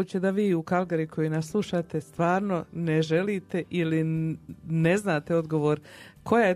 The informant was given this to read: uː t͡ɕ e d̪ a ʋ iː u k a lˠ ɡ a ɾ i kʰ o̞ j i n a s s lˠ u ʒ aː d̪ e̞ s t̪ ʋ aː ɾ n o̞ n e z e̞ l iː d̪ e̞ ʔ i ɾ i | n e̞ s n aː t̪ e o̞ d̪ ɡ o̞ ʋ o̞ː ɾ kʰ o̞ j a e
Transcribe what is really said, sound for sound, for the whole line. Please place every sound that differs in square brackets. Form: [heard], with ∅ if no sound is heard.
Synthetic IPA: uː t͡ɕ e d̪ a ʋ iː u k a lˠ ɡ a ɾ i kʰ o̞ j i n a s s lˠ u [ʃ] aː [t̪] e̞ s t̪ ʋ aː ɾ n o̞ n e [ʒ] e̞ l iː [t̪] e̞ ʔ i [l] i | n e̞ [z] n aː t̪ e o̞ d̪ ɡ o̞ ʋ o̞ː ɾ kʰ o̞ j a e